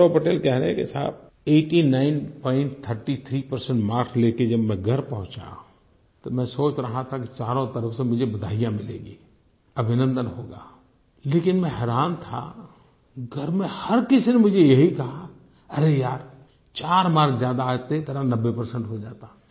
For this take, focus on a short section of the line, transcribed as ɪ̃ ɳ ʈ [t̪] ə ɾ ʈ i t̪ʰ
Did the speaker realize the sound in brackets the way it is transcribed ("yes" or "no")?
no